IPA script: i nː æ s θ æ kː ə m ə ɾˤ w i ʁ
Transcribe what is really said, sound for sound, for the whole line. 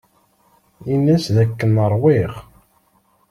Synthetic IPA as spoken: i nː æ s ð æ kː ə n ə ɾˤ w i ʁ